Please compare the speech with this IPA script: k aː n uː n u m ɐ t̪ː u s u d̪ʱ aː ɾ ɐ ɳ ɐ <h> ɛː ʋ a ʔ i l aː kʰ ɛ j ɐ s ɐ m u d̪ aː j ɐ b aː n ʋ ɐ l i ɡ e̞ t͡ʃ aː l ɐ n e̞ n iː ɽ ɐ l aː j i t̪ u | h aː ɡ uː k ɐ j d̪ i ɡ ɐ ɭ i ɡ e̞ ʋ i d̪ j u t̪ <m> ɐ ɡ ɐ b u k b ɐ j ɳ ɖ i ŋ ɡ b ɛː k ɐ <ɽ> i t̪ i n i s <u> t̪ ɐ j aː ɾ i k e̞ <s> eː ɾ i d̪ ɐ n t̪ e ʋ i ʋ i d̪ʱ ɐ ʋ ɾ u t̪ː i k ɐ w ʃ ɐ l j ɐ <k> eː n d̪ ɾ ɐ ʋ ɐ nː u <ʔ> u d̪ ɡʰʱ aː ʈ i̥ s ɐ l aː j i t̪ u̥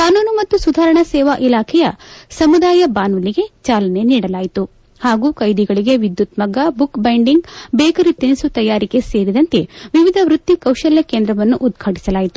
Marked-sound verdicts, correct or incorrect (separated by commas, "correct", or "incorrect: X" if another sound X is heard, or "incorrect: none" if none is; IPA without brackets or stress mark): incorrect: s, correct, incorrect: ɾ, correct, correct, correct, correct